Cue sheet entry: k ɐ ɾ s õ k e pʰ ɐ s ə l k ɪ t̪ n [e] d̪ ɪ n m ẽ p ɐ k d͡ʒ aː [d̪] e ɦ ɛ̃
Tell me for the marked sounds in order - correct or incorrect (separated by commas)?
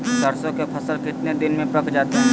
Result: correct, incorrect